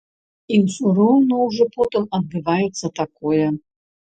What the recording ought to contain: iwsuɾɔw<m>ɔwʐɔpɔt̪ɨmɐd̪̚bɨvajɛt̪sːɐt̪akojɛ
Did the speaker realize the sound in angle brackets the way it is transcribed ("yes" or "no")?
no